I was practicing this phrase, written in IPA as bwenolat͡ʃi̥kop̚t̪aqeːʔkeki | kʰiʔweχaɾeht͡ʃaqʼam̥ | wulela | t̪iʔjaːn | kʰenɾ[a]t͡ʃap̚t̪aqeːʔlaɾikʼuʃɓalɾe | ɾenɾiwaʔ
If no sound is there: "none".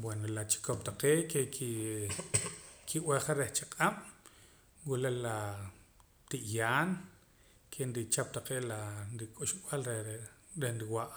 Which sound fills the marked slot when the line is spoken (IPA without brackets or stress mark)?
i